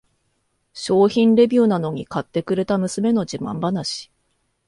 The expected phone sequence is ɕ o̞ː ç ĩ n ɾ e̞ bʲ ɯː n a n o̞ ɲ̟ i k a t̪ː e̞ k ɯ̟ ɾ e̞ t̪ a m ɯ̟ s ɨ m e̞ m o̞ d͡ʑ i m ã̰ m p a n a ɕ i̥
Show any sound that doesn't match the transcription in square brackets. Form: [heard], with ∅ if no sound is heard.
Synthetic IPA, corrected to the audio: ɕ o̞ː ç ĩ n ɾ e̞ bʲ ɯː n a n o̞ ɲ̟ i k a t̪ː e̞ k ɯ̟ ɾ e̞ t̪ a m ɯ̟ s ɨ m e̞ [n] o̞ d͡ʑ i m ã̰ m [b] a n a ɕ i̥